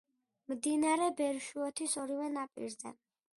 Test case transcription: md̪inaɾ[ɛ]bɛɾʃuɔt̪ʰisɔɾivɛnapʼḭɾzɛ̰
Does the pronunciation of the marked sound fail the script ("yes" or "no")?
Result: no